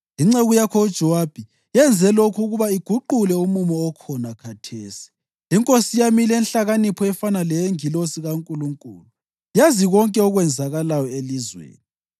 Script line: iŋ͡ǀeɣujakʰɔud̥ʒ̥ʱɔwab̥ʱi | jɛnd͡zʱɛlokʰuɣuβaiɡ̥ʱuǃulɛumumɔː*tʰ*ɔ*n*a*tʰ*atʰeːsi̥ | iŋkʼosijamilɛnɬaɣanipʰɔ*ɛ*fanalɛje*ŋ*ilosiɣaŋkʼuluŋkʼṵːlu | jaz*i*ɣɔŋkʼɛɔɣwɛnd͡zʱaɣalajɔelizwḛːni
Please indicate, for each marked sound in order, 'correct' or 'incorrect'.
incorrect: kʰ, correct, incorrect: kʰ, correct, correct, correct

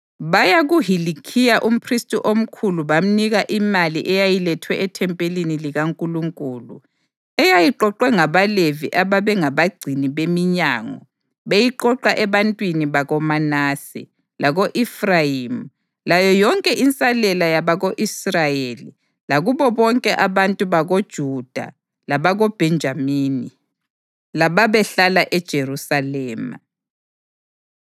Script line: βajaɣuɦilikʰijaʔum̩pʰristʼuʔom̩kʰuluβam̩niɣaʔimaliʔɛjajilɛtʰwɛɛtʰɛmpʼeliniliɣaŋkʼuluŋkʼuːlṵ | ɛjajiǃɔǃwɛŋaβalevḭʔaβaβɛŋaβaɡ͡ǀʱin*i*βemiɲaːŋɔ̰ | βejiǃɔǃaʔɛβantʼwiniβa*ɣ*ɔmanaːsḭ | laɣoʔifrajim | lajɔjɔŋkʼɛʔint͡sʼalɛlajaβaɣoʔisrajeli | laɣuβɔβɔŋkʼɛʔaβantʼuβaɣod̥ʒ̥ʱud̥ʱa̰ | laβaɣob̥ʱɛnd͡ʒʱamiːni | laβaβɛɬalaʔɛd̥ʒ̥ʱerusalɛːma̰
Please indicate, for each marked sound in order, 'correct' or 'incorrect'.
correct, correct

